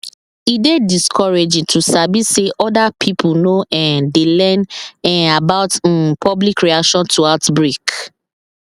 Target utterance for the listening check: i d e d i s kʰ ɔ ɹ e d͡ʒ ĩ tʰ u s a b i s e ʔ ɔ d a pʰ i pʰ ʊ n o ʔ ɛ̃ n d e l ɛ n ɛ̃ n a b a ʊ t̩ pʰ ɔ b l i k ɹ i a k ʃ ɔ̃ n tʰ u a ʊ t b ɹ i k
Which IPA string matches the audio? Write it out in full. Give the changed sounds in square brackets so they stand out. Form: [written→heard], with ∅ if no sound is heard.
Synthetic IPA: i d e d i s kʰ ɔ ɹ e d͡ʒ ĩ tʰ u s a b i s e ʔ ɔ d a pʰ i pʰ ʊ n o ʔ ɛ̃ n d e l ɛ n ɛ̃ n a b a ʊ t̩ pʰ ɔ b l i k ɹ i a k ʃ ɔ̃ n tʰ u a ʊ t b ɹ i k